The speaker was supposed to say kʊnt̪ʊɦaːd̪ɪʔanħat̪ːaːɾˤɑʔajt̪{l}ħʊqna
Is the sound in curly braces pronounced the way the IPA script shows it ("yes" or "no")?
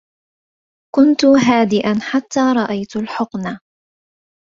yes